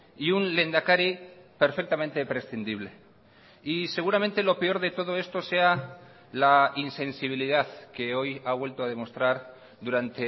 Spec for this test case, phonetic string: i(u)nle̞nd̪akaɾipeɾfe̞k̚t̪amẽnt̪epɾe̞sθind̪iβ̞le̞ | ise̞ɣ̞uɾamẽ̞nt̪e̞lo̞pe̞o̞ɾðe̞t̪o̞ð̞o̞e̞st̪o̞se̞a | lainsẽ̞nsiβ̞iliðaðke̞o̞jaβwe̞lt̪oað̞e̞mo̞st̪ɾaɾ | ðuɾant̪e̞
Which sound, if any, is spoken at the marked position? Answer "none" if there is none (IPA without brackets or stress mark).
u